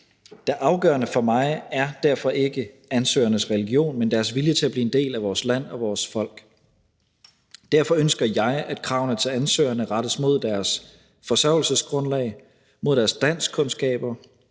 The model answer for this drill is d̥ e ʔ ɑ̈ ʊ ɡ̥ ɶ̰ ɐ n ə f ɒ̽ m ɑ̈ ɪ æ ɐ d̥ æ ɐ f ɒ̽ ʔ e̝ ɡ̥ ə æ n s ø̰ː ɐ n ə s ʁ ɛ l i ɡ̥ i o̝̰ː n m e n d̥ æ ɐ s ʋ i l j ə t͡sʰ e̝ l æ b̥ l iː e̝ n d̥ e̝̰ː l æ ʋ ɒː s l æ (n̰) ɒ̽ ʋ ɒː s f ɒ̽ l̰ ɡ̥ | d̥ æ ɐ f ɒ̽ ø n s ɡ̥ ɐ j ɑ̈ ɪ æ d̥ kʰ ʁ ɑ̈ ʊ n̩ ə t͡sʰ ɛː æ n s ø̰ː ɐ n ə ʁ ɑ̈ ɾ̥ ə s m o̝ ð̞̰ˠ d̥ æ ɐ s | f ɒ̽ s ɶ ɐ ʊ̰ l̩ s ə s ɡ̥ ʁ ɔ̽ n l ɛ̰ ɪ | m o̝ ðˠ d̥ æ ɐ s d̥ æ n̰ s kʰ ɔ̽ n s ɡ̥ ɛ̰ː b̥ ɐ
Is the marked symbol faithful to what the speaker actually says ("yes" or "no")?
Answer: yes